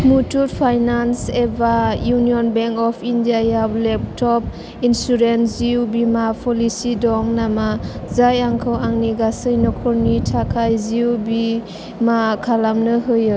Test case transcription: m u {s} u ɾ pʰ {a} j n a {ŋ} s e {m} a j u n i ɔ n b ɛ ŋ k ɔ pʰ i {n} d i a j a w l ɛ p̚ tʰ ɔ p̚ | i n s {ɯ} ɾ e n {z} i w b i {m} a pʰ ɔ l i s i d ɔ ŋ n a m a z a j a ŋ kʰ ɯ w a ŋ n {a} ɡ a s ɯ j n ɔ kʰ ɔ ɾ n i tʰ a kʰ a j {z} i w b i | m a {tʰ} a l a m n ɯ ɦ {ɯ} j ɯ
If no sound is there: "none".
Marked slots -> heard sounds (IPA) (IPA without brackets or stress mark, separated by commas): t, a, n, b, n, u, z, m, i, z, kʰ, ɯ